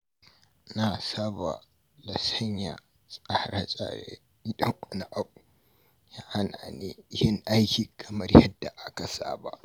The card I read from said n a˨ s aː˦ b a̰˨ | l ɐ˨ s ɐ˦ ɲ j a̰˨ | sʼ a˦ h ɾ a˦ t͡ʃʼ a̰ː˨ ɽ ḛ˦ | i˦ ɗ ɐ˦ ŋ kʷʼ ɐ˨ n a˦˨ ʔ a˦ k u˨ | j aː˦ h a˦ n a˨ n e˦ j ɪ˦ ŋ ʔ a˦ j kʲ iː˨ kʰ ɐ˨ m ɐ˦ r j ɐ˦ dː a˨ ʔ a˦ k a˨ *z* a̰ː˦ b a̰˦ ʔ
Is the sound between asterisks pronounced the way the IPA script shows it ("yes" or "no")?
no